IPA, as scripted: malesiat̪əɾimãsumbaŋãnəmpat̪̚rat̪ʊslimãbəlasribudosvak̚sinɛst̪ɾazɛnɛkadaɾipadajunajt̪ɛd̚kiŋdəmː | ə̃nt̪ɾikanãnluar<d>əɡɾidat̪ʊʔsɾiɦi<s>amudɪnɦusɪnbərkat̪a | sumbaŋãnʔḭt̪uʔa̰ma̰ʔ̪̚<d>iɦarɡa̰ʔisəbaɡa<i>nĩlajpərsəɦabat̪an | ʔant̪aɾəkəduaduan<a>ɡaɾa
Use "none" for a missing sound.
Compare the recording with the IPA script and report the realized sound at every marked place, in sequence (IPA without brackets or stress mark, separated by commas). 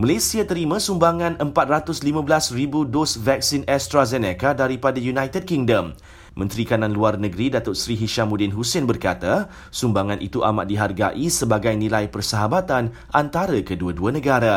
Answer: n, ʃ, d, j, ə